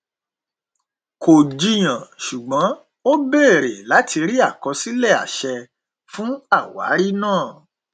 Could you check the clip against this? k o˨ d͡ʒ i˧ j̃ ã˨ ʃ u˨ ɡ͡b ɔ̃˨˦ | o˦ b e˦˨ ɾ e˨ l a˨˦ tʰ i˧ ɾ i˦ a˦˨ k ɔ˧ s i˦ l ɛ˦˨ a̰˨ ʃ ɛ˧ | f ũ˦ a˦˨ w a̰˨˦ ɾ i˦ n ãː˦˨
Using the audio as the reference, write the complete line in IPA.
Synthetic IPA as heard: k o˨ d͡ʒ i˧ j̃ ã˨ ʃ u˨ ɡ͡b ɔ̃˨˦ | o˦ b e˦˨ ɾ e˨ l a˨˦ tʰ i˧ ɾ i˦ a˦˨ k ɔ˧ s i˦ l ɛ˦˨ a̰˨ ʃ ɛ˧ | f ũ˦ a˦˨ w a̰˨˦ ɾ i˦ n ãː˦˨